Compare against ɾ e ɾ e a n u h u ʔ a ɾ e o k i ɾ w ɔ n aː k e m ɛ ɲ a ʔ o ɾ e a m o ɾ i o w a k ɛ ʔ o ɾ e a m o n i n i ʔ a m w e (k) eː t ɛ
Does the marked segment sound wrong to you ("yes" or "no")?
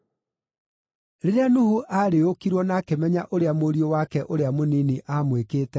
no